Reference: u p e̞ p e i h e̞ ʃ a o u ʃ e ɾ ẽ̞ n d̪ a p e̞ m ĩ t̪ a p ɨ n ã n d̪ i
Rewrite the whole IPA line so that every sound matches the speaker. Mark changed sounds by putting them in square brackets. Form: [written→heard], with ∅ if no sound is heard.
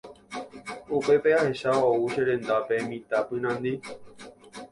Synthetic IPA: u p e̞ p e [i→a] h e̞ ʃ a o u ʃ e ɾ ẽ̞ n d̪ a p e̞ m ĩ t̪ a p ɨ n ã n d̪ i